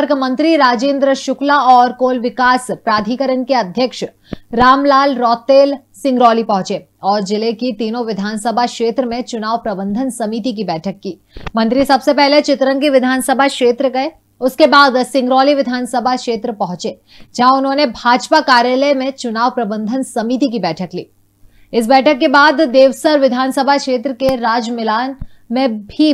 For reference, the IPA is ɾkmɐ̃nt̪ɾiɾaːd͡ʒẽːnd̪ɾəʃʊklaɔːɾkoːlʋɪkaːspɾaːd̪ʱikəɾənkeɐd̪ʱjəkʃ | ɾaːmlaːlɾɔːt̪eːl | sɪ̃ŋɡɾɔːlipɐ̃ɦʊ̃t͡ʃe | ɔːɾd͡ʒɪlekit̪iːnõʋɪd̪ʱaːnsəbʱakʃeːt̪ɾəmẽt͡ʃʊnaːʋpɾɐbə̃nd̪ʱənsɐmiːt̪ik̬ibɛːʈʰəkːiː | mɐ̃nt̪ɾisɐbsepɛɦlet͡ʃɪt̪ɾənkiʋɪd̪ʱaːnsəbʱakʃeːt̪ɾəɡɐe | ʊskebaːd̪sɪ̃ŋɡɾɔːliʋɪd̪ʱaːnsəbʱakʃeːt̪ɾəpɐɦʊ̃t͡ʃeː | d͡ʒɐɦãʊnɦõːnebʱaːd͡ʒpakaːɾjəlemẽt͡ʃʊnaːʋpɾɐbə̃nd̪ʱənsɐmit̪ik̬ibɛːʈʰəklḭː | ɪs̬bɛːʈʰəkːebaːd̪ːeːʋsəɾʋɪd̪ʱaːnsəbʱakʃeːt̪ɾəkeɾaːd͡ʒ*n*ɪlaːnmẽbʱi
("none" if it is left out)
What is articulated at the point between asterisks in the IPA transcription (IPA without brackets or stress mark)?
m